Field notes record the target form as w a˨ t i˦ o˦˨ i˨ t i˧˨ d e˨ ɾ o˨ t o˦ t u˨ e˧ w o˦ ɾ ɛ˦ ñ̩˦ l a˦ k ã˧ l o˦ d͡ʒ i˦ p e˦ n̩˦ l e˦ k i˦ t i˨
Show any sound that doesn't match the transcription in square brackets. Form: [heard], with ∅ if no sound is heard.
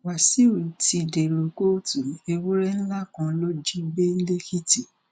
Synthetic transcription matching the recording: w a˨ [s] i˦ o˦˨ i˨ t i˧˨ d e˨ ɾ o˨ [k] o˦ t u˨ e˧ w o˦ ɾ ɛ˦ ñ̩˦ l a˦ k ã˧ l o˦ d͡ʒ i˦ [b] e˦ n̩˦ l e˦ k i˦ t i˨